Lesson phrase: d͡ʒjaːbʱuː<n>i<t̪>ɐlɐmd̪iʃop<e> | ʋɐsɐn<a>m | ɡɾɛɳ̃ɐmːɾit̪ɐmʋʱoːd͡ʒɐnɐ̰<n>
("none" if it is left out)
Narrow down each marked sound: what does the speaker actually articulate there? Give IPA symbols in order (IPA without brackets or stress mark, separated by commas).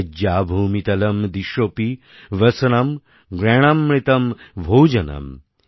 m, t̪, i, ɐ, m